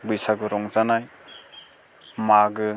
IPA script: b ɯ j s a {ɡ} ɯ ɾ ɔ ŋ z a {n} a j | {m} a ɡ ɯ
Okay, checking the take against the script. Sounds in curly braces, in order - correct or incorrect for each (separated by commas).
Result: correct, correct, correct